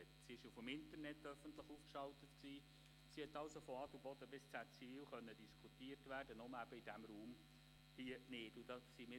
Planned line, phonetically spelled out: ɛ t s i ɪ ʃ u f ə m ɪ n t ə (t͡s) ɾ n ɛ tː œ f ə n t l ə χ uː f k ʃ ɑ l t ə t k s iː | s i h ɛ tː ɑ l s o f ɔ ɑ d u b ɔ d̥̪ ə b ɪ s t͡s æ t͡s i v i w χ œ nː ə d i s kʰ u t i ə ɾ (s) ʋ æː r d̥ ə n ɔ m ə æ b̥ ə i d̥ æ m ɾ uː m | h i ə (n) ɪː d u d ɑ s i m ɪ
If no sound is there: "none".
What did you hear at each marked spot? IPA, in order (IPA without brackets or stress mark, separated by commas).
none, t, n